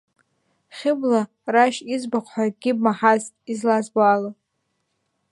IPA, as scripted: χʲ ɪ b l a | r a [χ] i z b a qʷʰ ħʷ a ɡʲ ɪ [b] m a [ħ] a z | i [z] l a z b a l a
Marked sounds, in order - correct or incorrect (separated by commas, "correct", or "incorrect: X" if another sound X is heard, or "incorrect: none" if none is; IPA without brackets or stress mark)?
incorrect: ʃ, correct, correct, correct